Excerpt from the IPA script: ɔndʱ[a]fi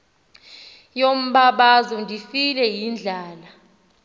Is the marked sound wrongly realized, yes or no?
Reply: yes